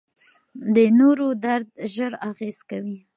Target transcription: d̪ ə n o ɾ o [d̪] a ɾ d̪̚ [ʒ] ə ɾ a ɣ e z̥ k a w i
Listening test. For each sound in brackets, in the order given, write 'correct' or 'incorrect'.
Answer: correct, correct

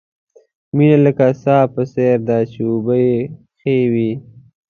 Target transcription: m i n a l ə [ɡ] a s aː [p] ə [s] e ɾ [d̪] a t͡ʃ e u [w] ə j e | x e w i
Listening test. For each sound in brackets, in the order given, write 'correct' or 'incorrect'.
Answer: incorrect: k, correct, correct, correct, incorrect: b

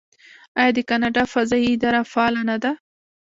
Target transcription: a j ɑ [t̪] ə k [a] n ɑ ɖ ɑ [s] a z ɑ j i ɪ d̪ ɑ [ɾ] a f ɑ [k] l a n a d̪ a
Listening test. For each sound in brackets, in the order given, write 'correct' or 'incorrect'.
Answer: incorrect: d̪, correct, incorrect: f, correct, incorrect: none

